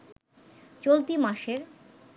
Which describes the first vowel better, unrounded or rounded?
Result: rounded